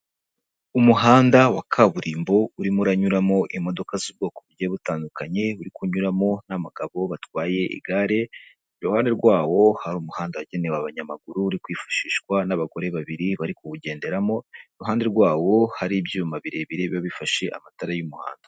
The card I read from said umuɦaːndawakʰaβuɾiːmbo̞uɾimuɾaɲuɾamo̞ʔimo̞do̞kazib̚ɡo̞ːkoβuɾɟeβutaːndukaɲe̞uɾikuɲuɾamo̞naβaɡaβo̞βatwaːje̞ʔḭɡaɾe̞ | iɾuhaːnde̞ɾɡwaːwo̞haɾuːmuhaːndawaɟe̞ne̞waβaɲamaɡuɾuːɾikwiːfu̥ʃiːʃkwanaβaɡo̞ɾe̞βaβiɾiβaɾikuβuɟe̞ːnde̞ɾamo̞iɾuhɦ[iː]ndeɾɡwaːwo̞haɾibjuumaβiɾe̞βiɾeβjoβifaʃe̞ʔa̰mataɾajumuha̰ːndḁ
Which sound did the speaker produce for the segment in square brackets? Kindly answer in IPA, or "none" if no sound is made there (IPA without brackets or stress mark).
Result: aː